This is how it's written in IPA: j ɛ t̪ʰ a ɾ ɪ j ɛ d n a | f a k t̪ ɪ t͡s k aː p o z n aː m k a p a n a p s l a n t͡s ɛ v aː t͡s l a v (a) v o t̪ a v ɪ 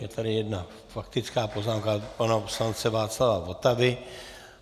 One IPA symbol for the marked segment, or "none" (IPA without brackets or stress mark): a